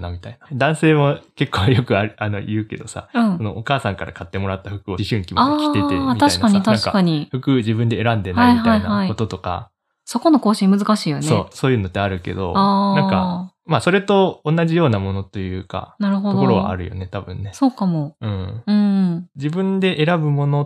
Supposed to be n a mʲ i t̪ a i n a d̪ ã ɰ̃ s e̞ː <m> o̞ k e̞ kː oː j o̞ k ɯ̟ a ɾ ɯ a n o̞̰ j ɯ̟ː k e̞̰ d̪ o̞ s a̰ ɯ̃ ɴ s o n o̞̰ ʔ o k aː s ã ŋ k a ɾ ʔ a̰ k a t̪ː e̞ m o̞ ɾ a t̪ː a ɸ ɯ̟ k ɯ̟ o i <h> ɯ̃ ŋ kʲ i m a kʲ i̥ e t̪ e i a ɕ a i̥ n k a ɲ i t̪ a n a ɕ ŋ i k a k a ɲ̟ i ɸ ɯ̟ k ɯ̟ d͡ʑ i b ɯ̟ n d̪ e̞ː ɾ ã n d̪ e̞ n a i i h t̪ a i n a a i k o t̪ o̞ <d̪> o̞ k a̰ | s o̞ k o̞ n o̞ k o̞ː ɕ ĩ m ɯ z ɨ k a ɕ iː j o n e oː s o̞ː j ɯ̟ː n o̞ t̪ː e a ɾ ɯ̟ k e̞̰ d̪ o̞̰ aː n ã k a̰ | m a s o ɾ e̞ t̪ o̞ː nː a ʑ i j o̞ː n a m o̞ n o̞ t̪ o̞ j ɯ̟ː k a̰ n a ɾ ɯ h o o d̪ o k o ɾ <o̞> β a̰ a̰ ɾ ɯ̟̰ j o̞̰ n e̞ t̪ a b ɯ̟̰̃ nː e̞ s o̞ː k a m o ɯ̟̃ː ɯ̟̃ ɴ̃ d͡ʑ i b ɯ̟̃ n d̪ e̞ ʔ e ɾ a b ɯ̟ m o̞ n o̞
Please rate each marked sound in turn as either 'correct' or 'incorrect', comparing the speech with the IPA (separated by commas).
correct, incorrect, incorrect, correct